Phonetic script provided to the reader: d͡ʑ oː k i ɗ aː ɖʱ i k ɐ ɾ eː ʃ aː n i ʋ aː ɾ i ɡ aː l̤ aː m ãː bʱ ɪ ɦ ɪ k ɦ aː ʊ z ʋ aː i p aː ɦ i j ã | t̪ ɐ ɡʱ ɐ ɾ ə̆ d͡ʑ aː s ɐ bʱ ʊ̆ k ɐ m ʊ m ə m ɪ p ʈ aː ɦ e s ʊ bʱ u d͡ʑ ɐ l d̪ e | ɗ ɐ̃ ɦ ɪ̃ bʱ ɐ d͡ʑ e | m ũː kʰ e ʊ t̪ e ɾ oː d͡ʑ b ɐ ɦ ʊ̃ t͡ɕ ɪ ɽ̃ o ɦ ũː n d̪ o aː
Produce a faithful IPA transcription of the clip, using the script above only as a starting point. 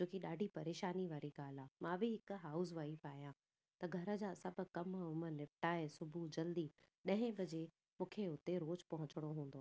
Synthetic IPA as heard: d͡ʑ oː k i ɗ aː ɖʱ i p ɐ ɾ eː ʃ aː n i ʋ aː ɾ i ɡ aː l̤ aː m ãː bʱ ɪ ɦ ɪ k ɦ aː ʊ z ʋ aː i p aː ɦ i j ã | t̪ ɐ ɡʱ ɐ ɾ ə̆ d͡ʑ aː s ɐ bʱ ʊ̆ k ɐ m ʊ m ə n ɪ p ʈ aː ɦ e s ʊ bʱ u d͡ʑ ɐ l d̪ i | ɗ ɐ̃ ɦ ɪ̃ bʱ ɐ d͡ʑ e | m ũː kʰ e ʊ t̪ e ɾ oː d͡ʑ p ɐ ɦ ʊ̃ t͡ɕ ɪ ɽ̃ o ɦ ũː n d̪ o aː